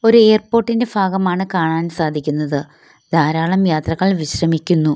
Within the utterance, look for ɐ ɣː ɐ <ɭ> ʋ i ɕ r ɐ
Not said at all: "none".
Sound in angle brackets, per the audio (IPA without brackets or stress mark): ɭ